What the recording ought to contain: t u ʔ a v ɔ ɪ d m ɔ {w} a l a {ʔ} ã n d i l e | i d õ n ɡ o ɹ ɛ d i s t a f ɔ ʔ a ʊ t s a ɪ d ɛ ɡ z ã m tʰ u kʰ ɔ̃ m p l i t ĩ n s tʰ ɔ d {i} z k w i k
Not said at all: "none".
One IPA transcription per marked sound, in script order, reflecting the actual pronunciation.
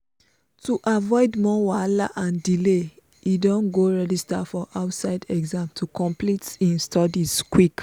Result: w, ʔ, i

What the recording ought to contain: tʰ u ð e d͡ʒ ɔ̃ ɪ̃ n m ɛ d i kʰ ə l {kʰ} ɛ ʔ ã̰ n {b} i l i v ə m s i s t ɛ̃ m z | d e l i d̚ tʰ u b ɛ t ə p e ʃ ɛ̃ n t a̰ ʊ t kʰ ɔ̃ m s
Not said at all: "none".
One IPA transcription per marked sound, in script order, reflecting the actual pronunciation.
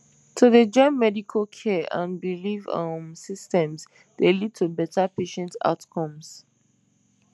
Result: kʰ, b

